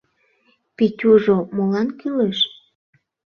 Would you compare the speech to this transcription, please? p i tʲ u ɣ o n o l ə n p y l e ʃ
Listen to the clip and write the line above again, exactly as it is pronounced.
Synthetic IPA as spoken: p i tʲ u ʒ o m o l ɑ n k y l e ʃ